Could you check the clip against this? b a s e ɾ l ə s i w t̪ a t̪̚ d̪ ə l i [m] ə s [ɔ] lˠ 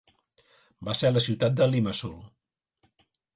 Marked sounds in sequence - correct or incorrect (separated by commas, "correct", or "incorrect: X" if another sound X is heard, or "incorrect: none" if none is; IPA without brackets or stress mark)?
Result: correct, incorrect: u